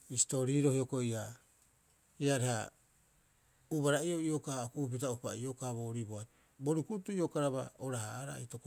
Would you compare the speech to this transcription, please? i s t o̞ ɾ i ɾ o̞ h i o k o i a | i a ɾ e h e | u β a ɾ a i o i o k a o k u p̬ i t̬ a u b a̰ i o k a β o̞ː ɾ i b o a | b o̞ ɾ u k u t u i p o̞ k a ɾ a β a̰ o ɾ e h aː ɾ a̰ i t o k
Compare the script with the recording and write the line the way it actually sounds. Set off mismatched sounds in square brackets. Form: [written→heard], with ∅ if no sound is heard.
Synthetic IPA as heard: i s t o̞ ɾ i ɾ o̞ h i o k o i a | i a ɾ e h [e→a] | u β a ɾ a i o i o k a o k u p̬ i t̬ a u [b→p] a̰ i o k a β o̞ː ɾ i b o a | b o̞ ɾ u k u t u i [p→∅] o̞ k a ɾ a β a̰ o ɾ [e→a] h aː ɾ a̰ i t o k